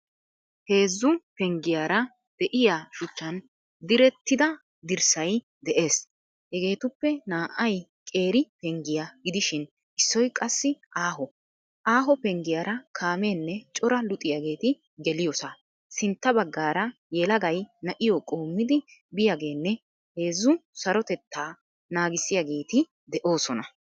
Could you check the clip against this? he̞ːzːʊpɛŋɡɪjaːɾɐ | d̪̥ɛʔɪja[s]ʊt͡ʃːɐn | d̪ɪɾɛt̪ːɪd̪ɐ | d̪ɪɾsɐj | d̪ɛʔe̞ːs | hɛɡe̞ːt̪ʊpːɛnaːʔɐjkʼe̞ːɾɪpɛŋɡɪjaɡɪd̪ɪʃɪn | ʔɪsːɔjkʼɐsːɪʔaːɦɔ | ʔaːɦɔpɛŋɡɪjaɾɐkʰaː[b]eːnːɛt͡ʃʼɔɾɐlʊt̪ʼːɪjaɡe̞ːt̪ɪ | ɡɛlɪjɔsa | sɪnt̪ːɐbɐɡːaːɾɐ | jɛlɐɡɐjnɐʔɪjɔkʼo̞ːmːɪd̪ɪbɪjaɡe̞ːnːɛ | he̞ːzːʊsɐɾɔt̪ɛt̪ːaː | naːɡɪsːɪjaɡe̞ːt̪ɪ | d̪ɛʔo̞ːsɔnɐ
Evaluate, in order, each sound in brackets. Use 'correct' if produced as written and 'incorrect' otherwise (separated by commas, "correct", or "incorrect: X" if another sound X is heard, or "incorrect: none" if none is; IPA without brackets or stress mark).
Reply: incorrect: ʃ, incorrect: m